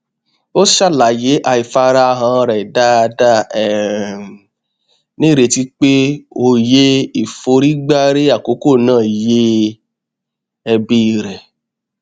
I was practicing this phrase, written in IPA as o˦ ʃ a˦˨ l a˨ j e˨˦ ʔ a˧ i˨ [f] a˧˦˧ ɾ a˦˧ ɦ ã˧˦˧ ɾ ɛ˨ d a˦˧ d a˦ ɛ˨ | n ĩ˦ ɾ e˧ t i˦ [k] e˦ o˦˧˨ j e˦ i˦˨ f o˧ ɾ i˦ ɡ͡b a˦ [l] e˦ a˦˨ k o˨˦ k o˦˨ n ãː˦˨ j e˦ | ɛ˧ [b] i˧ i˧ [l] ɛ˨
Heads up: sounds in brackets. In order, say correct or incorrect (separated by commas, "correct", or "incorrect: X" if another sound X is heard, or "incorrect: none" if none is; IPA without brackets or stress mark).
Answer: correct, incorrect: k͡p, incorrect: ɾ, correct, incorrect: ɾ